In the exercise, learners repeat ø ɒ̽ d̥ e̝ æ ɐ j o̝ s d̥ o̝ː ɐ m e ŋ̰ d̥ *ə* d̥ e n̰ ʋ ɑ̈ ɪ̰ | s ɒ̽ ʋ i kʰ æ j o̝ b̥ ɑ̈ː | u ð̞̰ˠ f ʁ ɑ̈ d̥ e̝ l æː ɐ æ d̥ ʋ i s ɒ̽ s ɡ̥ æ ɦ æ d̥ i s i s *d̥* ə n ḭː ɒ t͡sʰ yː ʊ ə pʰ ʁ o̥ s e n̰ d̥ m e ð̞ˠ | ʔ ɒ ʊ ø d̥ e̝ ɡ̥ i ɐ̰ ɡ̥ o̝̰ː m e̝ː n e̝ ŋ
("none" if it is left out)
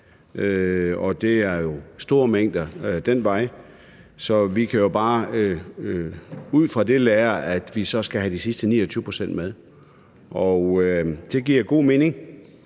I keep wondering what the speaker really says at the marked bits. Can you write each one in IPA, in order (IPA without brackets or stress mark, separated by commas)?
ɐ, d̥